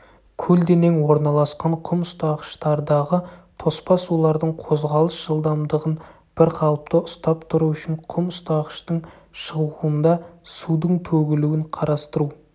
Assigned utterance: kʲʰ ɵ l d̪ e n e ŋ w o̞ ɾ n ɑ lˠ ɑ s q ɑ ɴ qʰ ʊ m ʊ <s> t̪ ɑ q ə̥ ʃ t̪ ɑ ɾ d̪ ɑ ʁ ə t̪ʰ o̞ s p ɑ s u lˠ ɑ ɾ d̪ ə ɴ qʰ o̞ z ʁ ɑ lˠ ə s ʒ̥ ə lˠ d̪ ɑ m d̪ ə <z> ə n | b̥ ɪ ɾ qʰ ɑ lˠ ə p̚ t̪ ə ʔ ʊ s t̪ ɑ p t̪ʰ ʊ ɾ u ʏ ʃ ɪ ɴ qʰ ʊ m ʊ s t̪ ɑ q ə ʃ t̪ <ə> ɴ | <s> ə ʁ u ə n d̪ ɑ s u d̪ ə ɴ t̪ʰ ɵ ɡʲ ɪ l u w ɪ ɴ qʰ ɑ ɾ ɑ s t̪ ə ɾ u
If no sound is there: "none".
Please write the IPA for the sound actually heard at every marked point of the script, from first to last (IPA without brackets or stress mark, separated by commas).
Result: s, ʁ, ə, ʃ